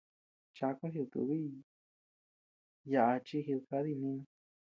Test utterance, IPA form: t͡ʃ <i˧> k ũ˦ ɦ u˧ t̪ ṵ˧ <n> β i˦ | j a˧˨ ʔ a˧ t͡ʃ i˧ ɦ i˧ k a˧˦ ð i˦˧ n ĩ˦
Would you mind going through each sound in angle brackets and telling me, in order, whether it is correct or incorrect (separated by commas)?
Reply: incorrect, incorrect